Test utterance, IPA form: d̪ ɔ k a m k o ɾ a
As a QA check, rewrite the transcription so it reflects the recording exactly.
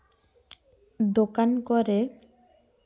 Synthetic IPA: d̪ o k a n k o ɾ e